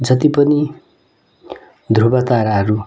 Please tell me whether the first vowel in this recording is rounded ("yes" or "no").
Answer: no